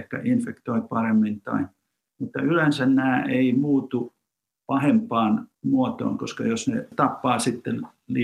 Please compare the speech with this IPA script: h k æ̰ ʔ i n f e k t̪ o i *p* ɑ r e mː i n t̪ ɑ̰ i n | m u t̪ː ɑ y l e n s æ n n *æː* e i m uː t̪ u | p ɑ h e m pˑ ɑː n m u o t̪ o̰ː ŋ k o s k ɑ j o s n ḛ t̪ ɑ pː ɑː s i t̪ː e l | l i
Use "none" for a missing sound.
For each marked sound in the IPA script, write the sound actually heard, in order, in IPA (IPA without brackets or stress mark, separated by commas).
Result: p, æː